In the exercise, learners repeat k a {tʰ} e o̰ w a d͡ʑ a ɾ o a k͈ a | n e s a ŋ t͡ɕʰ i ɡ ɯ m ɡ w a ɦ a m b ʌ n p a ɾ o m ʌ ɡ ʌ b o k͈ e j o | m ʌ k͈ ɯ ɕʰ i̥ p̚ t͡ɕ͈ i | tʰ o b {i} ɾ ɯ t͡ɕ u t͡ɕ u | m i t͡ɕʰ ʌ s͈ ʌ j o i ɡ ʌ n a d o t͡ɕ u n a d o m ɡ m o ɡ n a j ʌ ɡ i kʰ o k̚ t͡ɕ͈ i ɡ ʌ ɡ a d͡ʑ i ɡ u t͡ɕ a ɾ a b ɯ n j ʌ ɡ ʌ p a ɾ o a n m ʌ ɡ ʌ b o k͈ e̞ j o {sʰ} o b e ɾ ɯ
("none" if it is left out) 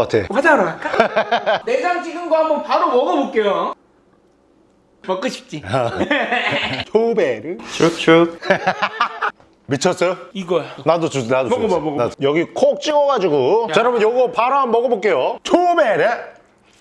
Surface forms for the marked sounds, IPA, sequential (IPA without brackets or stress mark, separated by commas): tʰ, e, tʰ